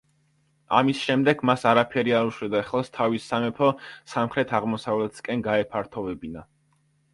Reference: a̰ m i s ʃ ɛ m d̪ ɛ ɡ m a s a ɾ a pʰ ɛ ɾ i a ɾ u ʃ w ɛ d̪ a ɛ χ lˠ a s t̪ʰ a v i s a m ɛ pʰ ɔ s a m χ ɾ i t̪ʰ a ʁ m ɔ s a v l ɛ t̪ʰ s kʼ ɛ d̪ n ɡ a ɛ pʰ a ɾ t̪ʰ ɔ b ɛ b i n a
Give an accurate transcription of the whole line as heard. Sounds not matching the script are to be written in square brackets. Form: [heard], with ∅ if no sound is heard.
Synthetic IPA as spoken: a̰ m i s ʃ ɛ m d̪ ɛ ɡ m a s a ɾ a pʰ ɛ ɾ i a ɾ u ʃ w ɛ d̪ a ɛ χ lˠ a s t̪ʰ a v i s a m ɛ pʰ ɔ s a m χ ɾ [ɛ] t̪ʰ a ʁ m ɔ s a v l ɛ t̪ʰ s kʼ ɛ [∅] n ɡ a ɛ pʰ a ɾ t̪ʰ ɔ [v] ɛ b i n a

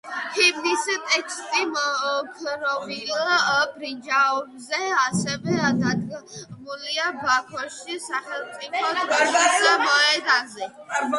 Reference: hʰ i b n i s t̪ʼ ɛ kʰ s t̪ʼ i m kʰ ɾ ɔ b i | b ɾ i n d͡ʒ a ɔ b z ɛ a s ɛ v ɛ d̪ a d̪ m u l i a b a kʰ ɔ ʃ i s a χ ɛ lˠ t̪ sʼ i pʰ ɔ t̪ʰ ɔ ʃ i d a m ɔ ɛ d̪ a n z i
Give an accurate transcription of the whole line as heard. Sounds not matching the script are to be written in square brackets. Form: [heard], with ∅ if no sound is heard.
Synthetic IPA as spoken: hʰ i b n i s t̪ʼ ɛ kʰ s t̪ʼ i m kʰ ɾ ɔ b i | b ɾ i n d͡ʒ a ɔ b z ɛ a s ɛ v ɛ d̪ a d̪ m u l i a b a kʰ ɔ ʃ i s a χ ɛ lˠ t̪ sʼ i pʰ ɔ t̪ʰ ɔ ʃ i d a m ɔ ɛ d̪ a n z [ɛ]

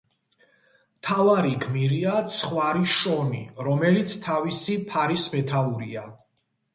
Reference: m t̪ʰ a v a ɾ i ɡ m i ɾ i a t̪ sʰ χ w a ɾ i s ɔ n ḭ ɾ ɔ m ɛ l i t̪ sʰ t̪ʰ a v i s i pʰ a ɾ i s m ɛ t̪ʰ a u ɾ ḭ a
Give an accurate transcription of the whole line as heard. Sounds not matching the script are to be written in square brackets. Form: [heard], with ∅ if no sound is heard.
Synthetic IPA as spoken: m t̪ʰ a v a ɾ i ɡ m i ɾ i a t̪ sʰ χ w a ɾ i [ʃ] ɔ n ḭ ɾ ɔ m ɛ l i t̪ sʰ t̪ʰ a v i s i pʰ a ɾ i s m ɛ t̪ʰ a u ɾ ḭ a

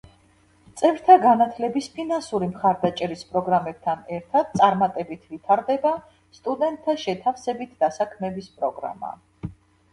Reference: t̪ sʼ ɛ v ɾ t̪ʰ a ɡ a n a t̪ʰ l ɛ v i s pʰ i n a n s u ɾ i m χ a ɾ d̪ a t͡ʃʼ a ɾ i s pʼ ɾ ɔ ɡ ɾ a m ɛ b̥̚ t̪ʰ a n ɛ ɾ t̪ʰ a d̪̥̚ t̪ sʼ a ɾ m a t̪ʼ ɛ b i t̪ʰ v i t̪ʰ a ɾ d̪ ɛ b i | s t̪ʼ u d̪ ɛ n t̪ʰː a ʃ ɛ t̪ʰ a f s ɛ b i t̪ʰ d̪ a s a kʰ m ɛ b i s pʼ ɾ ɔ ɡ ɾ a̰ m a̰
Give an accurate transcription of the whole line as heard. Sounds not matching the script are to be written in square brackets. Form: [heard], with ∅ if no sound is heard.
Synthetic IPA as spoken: t̪ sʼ ɛ v ɾ t̪ʰ a ɡ a n a t̪ʰ l ɛ [b] i s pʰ i n a n s u ɾ i m χ a ɾ d̪ a t͡ʃʼ [ɛ] ɾ i s pʼ ɾ ɔ ɡ ɾ a m ɛ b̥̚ t̪ʰ a n ɛ ɾ t̪ʰ a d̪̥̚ t̪ sʼ a ɾ m a t̪ʼ ɛ b i t̪ʰ v i t̪ʰ a ɾ d̪ ɛ b [a] | s t̪ʼ u d̪ ɛ n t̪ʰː a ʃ ɛ t̪ʰ a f s ɛ b i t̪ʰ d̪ a s a kʰ m ɛ b i s pʼ ɾ ɔ ɡ ɾ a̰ m a̰

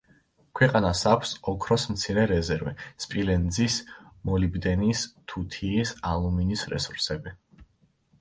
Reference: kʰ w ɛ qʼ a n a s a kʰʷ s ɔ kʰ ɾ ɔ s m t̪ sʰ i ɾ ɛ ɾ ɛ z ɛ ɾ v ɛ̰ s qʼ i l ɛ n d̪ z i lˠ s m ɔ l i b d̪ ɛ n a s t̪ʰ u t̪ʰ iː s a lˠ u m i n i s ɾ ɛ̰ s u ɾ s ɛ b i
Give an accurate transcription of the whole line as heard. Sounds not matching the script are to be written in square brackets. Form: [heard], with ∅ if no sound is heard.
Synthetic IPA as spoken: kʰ w ɛ qʼ a n a s a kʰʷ s ɔ kʰ ɾ ɔ s m t̪ sʰ i ɾ ɛ ɾ ɛ z ɛ ɾ v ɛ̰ s [pʼ] i l ɛ n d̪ z i [∅] s m ɔ l i b d̪ ɛ n [i] s t̪ʰ u t̪ʰ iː s a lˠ u m i n i s ɾ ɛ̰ s u ɾ s ɛ b i

